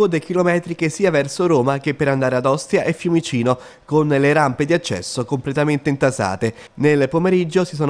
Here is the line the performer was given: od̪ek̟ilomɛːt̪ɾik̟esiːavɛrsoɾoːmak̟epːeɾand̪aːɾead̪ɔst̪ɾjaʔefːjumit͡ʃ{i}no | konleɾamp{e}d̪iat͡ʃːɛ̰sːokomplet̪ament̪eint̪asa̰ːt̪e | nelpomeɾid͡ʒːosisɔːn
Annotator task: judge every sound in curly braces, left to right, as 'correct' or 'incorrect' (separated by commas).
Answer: incorrect, correct